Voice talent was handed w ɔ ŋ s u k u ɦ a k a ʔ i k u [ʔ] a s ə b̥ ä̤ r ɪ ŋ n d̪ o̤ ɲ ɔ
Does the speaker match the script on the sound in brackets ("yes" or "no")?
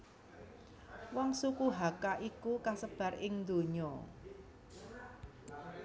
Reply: no